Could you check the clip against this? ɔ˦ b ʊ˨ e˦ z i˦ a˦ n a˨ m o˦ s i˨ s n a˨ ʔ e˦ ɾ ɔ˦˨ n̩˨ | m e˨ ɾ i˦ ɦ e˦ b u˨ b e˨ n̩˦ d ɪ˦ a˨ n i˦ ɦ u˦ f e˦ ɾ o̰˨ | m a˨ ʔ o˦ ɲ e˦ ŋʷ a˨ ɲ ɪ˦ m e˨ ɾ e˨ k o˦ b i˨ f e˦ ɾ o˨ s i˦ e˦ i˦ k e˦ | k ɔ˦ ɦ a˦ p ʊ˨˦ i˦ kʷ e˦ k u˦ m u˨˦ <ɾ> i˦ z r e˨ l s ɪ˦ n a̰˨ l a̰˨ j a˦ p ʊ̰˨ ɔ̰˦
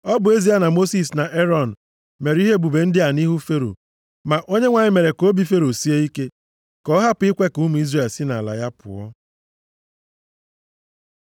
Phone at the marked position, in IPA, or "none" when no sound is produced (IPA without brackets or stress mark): none